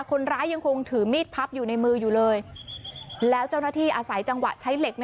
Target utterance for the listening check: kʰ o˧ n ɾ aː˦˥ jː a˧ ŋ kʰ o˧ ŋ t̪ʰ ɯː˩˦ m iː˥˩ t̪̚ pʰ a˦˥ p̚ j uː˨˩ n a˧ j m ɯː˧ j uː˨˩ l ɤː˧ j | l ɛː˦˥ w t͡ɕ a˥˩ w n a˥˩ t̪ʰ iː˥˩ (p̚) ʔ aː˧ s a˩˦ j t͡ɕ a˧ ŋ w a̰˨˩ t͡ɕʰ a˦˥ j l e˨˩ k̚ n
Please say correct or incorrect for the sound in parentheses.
incorrect